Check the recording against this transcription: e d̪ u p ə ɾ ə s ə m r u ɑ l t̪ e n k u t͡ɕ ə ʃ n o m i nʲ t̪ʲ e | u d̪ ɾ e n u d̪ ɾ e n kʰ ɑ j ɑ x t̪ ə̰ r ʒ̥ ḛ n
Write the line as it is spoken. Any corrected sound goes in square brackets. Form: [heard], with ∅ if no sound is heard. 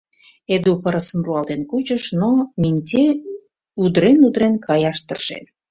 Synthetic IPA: e d̪ u p ə ɾ ə s ə m r u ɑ l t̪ e n k u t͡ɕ ə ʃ n o m i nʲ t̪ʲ e | u d̪ ɾ e n u d̪ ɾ e n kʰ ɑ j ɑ [ʃ] t̪ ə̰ r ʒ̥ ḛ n